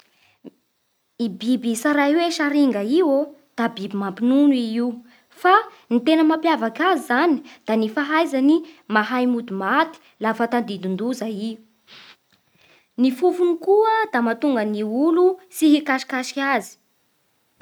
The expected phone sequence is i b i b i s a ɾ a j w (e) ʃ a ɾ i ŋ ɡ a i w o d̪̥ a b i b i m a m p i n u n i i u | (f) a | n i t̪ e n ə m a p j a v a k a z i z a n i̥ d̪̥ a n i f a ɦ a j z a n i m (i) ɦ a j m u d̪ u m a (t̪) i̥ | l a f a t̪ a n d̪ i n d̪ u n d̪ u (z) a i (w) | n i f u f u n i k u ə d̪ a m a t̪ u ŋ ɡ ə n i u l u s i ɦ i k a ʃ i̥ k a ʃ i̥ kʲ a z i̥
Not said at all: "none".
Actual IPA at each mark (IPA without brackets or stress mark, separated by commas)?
e, f, a, t̪, z, u